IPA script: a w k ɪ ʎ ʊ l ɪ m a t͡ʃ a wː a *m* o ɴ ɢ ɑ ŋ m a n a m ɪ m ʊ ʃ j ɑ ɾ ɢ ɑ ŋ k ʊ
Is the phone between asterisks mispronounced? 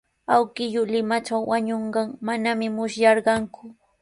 yes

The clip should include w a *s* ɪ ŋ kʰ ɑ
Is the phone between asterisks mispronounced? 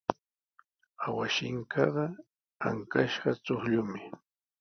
yes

